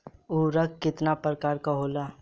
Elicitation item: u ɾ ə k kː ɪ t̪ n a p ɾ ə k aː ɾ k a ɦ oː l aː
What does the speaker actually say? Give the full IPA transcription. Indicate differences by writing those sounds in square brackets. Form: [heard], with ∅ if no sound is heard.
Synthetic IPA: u ɾ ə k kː ɪ t̪ n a p ɾ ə k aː ɾ k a ɦ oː l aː

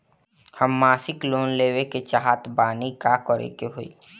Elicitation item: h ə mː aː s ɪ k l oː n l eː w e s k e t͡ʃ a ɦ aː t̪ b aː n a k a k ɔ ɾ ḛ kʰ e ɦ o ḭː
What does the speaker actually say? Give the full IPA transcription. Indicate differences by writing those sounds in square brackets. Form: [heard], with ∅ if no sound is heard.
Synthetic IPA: h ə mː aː s ɪ k l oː n l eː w e [∅] k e t͡ʃ a ɦ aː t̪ b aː n [i] k a k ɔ ɾ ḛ [k] e ɦ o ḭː

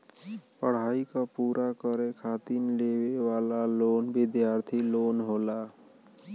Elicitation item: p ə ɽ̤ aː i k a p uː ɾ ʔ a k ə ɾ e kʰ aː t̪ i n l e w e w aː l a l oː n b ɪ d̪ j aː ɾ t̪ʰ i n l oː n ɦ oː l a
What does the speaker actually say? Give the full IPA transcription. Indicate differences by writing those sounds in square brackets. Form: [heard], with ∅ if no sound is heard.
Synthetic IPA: p ə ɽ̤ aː i k a p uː ɾ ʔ a k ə ɾ e kʰ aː t̪ i n l e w e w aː l a l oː n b ɪ d̪ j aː ɾ t̪ʰ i [∅] l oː n ɦ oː l a

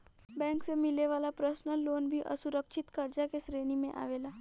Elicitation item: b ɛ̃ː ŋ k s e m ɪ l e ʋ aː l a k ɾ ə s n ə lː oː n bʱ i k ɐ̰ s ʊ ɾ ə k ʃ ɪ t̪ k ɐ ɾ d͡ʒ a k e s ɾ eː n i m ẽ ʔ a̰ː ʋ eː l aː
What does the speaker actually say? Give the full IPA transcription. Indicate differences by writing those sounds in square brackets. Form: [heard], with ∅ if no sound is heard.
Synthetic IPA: b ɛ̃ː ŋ k s e m ɪ l e ʋ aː l a [p] ɾ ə s n ə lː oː n bʱ i [ʔ] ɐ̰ s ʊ ɾ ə k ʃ ɪ t̪ k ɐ ɾ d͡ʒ a k e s ɾ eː n i m ẽ ʔ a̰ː ʋ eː l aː

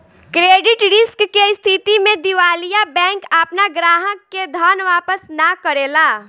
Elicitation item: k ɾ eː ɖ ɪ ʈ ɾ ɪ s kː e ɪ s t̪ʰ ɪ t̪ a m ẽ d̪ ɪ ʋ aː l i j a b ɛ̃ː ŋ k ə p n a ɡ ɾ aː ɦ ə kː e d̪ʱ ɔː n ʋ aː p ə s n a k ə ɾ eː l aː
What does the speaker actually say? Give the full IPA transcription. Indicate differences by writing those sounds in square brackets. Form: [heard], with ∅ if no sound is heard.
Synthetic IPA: k ɾ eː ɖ ɪ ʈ ɾ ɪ s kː e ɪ s t̪ʰ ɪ t̪ [i] m ẽ d̪ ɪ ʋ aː l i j a b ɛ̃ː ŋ k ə p n a ɡ ɾ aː ɦ ə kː e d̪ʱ ɔː n ʋ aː p ə s n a k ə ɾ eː l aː

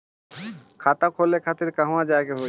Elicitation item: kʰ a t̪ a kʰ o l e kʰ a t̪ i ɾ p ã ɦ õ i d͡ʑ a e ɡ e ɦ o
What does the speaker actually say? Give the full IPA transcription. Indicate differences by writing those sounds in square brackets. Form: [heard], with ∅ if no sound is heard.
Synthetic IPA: kʰ a t̪ a kʰ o l e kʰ a t̪ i ɾ [k] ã ɦ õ [a] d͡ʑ a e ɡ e ɦ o

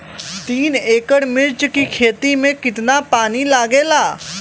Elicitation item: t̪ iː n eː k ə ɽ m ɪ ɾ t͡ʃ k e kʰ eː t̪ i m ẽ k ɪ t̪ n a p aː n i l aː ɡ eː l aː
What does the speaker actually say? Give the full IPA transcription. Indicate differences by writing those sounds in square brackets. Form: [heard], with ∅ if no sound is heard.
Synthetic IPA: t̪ iː n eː k ə ɽ m ɪ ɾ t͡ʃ k [i] kʰ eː t̪ i m ẽ k ɪ t̪ n a p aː n i l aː ɡ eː l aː

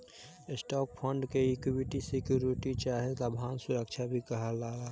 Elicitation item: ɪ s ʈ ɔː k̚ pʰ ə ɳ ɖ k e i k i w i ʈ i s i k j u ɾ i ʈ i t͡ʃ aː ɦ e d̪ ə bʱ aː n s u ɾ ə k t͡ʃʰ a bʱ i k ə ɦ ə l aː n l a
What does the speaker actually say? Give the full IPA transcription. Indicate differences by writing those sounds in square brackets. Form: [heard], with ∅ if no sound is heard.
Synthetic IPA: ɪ s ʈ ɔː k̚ pʰ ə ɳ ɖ k e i k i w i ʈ i s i k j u ɾ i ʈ i t͡ʃ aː ɦ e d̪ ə bʱ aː n s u ɾ ə k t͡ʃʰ a bʱ i k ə ɦ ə l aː [∅] l a

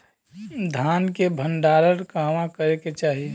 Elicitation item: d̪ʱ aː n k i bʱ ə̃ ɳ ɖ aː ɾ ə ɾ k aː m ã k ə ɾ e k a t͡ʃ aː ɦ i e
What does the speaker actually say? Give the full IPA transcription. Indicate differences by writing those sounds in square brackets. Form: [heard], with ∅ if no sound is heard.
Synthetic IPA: d̪ʱ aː n k [e] bʱ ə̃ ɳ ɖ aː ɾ ə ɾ k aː m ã k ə ɾ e k [e] t͡ʃ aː ɦ i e

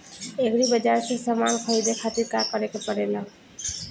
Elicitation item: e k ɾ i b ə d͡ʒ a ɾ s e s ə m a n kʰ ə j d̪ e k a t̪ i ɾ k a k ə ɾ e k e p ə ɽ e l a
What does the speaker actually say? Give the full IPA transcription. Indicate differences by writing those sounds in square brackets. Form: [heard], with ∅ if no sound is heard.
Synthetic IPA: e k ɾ i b ə d͡ʒ a ɾ s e s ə m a n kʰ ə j d̪ e [kʰ] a t̪ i ɾ k a k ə ɾ e k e p ə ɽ e l a

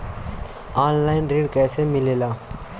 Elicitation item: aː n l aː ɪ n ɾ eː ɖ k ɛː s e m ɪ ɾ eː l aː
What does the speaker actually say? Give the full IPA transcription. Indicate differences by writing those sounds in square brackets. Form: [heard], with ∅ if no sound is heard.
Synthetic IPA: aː n l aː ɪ n ɾ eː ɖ k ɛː s e m ɪ [l] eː l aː

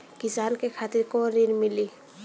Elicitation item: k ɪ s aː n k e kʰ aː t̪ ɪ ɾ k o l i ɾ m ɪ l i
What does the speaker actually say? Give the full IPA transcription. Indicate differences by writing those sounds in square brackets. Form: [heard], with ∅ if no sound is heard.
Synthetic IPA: k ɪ s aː n k e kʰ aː t̪ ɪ ɾ k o [ɾ] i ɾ m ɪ l i

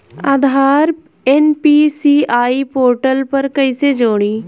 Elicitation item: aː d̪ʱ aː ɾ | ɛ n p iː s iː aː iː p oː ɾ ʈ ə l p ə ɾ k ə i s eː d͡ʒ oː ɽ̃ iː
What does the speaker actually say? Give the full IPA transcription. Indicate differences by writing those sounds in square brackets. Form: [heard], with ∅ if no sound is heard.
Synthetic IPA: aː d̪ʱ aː ɾ | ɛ n p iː s iː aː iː p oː ɾ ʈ ə l p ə ɾ k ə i s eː d͡ʒ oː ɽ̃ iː

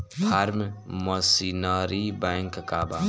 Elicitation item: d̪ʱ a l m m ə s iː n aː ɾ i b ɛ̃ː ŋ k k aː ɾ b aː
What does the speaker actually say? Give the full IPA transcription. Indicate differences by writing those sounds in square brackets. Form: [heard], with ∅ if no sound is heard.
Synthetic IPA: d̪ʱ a [ɾ] m m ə s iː n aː ɾ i b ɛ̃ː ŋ k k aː [∅] b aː

